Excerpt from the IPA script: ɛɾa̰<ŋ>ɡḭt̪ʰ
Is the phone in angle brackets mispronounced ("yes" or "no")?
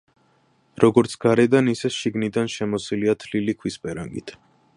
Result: no